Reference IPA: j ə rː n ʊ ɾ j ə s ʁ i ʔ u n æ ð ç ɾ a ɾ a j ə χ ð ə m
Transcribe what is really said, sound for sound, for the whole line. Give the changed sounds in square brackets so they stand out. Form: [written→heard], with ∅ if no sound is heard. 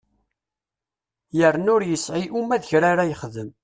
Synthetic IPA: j ə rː n ʊ ɾ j ə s [ʁ→ʕ] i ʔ u [n→m] æ ð ç ɾ a ɾ a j ə χ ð ə m